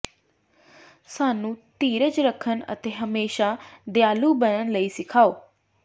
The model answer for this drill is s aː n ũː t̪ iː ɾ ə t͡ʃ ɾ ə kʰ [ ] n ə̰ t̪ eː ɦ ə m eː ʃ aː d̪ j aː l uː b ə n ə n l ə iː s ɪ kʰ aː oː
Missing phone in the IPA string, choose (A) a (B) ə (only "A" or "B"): B